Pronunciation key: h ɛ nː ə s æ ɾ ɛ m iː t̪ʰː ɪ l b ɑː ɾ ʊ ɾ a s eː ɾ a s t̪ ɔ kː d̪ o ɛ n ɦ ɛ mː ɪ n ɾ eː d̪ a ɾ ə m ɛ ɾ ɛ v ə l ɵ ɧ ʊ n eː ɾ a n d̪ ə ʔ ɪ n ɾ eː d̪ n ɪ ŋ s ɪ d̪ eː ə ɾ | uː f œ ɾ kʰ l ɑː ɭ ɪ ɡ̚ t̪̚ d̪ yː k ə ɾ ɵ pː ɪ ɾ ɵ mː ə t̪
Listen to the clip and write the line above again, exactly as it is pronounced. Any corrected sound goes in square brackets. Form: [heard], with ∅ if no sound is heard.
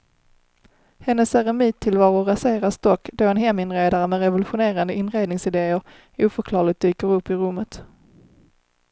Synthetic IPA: h ɛ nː ə s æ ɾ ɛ m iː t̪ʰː ɪ l [v] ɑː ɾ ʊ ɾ a s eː ɾ a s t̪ ɔ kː d̪ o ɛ n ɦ ɛ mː ɪ n ɾ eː d̪ a ɾ ə m ɛ ɾ ɛ v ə l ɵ ɧ ʊ n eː ɾ a n d̪ ə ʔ ɪ n ɾ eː d̪ n ɪ ŋ s ɪ d̪ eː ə ɾ | uː f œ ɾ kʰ l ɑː ɭ ɪ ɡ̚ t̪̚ d̪ yː k ə ɾ ɵ pː ɪ ɾ ɵ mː ə t̪